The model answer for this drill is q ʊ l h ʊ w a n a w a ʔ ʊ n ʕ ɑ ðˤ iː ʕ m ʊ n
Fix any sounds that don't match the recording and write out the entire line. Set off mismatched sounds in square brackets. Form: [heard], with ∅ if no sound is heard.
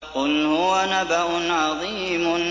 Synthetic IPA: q ʊ l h ʊ w a n a [b] a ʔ ʊ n ʕ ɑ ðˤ iː [∅] m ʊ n